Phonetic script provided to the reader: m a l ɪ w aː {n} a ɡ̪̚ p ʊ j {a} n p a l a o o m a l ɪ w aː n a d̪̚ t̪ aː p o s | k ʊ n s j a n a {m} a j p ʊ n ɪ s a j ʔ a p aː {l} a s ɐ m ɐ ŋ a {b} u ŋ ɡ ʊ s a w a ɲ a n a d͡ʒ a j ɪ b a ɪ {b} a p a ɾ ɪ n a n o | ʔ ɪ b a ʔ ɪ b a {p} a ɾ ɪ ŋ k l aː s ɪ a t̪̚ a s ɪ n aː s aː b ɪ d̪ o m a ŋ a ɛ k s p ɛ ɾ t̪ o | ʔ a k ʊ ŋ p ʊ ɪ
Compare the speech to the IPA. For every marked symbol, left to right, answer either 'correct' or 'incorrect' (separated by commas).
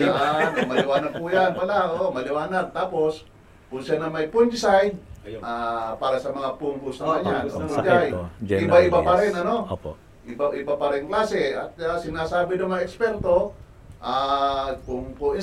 correct, correct, correct, incorrect, incorrect, correct, correct